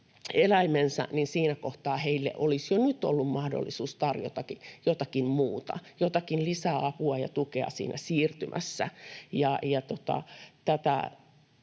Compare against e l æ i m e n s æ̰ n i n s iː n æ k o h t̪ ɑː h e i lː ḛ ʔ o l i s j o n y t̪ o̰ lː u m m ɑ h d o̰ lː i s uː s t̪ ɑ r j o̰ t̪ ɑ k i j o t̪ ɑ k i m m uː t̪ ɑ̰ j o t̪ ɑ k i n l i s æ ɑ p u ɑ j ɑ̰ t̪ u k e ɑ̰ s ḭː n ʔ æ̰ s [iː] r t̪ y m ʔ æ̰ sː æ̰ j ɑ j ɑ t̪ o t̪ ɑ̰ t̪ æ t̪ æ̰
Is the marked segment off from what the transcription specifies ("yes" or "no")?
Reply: no